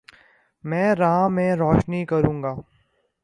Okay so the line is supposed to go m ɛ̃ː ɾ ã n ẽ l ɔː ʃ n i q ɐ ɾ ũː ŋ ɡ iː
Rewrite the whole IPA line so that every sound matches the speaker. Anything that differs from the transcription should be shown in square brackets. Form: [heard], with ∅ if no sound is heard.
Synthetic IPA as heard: m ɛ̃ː ɾ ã [m] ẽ [ɾ] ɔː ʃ n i [k] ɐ ɾ ũː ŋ ɡ [aː]